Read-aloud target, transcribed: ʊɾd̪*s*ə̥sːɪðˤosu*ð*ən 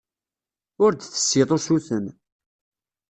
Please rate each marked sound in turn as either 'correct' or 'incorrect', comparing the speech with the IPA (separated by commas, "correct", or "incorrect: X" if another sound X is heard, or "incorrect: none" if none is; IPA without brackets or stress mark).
incorrect: θ, incorrect: θ